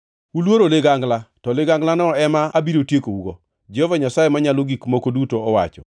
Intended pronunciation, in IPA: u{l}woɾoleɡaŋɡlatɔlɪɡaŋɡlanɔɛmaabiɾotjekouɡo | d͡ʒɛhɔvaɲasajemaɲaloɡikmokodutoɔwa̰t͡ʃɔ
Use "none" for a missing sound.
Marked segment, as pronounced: l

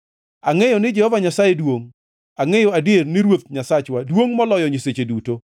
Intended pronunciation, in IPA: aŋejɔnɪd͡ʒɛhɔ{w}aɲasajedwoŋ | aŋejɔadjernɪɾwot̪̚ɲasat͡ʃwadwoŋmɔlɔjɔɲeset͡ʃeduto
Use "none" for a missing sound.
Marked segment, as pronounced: v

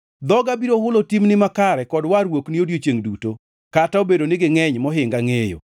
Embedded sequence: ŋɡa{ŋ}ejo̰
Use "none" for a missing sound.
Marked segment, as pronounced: ŋ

